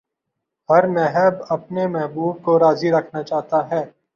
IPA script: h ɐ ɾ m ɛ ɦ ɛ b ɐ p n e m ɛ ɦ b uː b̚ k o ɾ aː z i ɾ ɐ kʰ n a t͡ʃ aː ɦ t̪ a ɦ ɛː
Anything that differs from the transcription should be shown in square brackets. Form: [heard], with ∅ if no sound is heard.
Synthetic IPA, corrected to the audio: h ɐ ɾ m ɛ ɦ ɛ b ɐ p n e m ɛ ɦ b uː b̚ k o ɾ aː z i ɾ ɐ kʰ n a t͡ʃ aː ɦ t̪ a ɦ ɛː